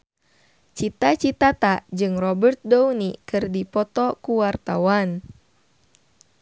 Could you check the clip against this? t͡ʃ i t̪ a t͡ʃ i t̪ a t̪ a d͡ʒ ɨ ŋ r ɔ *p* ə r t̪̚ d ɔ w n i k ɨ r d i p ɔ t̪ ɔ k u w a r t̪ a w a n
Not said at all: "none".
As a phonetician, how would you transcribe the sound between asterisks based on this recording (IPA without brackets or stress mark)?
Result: b